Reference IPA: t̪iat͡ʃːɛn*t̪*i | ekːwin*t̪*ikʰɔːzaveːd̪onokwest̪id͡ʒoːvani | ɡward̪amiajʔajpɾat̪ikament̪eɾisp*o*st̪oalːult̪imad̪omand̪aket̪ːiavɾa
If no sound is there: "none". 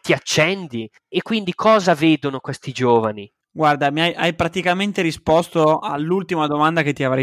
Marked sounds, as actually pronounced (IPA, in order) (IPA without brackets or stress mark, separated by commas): d̪, d̪, ɔ